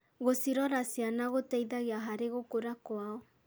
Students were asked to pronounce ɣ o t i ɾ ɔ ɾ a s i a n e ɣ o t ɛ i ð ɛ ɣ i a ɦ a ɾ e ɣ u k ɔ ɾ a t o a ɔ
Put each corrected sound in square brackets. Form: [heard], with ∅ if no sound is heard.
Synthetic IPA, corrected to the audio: ɣ o [s] i ɾ ɔ ɾ a s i a n [a] ɣ o t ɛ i ð [a] ɣ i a ɦ a ɾ e ɣ [o] k [o] ɾ a [k] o a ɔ